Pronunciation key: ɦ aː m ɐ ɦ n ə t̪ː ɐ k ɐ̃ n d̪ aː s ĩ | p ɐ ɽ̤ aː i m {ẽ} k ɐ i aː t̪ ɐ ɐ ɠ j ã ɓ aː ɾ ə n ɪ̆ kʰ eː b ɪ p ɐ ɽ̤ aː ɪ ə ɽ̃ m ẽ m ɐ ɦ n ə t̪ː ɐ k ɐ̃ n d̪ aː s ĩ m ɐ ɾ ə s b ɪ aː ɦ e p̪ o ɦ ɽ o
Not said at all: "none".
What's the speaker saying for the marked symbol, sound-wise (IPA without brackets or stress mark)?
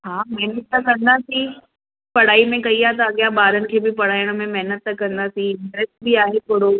ẽ